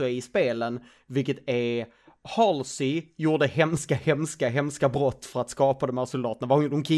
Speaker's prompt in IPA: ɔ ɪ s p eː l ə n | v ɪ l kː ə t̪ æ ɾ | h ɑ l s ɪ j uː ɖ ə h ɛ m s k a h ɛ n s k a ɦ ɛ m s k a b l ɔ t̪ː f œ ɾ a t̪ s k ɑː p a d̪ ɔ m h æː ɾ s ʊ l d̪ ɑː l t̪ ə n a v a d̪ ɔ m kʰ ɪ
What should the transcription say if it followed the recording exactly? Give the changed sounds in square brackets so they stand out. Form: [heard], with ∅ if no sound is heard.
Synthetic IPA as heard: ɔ ɪ s p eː l ə n | v ɪ l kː ə t̪ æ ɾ | h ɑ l s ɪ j uː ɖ ə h ɛ m s k a h ɛ [m] s k a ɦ ɛ m s k a b [ɾ] ɔ t̪ː f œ ɾ a t̪ s k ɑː p a d̪ ɔ m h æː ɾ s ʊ l d̪ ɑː [∅] t̪ ə n a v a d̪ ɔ m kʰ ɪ